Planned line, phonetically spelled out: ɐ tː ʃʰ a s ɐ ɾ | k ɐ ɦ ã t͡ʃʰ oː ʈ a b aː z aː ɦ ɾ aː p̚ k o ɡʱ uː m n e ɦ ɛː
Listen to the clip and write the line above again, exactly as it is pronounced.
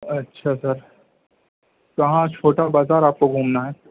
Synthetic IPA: ɐ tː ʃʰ a s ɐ ɾ | k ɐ ɦ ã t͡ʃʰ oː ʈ a b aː z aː ɾ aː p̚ k o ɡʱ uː m n a ɦ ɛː

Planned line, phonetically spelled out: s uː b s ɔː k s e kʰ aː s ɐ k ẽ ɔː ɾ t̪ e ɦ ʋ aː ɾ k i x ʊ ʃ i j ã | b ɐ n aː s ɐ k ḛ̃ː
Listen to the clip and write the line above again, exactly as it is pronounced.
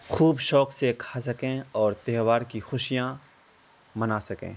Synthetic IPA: x uː b ʃ ɔː k s e kʰ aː s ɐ k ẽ ɔː ɾ t̪ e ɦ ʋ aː ɾ k i x ʊ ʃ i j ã | m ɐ n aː s ɐ k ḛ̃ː

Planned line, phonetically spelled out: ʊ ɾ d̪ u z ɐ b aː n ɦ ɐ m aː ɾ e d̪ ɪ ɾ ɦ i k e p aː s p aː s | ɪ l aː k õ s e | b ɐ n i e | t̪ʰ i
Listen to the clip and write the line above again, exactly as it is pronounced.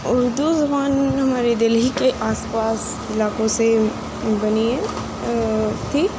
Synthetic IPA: ʊ ɾ d̪ u z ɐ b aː n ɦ ɐ m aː ɾ e d̪ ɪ l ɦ i k e ʔ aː s p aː s | ɪ l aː k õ s e | b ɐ n i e | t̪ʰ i

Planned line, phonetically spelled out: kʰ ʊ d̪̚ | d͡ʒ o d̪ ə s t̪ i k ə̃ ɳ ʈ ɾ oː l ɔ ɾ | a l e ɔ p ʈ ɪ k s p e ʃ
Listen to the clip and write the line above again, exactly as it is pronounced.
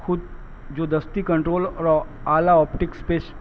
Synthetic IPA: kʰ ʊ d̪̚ | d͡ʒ o d̪ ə s t̪ i k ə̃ ɳ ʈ ɾ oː l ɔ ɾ | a l a ɔ p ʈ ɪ k s p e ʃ

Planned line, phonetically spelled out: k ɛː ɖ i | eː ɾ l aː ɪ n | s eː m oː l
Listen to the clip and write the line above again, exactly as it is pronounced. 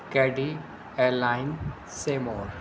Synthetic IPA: k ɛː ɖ i | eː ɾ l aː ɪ n | s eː m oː ɾ

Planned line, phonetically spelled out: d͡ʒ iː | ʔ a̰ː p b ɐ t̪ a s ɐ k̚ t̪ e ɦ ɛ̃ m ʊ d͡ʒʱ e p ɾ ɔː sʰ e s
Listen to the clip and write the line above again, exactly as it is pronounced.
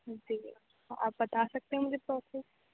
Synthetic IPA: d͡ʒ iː | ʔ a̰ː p b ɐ t̪ a s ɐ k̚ t̪ e ɦ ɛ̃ m ʊ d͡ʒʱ e p ɾ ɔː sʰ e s

